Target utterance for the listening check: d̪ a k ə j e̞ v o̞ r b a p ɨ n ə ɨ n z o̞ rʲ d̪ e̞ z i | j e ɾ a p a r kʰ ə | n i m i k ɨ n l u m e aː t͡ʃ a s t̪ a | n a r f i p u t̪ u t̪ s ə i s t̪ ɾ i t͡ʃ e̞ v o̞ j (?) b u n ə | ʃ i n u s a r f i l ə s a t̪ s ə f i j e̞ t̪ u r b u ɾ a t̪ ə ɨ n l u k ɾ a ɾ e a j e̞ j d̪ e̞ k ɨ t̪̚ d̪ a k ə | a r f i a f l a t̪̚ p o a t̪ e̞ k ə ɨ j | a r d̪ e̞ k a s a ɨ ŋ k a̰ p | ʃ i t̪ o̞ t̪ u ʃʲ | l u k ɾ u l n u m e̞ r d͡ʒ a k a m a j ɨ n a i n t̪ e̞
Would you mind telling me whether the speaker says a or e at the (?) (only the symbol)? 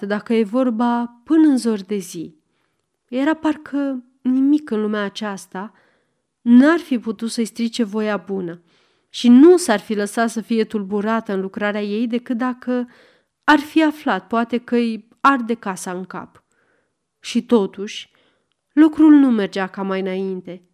a